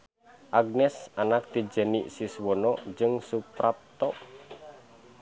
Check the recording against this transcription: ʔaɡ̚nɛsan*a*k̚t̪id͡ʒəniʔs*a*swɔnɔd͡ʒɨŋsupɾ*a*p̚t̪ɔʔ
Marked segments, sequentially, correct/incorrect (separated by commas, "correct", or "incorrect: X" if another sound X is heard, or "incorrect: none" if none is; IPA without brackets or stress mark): correct, incorrect: i, correct